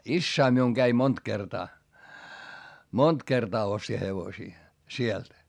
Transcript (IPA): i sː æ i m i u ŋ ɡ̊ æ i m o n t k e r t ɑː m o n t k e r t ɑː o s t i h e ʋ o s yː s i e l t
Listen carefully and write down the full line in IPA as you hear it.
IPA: i sː æ i m i u ŋ ɡ̊ æ i m o n t k e r t ɑː m o n t k e r t ɑː o s t i h e ʋ o s iː s i e l t